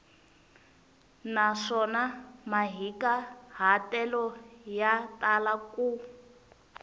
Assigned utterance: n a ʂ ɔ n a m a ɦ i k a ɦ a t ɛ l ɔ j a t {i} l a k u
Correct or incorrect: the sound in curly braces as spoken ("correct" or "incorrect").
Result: incorrect